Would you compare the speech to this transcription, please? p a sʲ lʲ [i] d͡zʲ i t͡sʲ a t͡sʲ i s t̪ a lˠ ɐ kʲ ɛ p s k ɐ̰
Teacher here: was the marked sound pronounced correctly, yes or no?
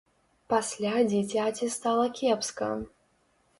no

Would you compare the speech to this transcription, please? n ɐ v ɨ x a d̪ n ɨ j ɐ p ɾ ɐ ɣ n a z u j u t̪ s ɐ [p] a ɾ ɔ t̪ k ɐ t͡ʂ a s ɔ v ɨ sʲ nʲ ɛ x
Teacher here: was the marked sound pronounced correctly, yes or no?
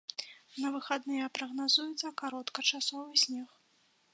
no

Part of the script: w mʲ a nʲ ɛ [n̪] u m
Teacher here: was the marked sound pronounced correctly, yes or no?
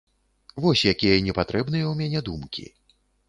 no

